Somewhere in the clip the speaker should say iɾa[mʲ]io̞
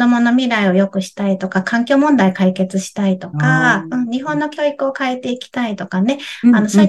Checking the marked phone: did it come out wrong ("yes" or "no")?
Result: yes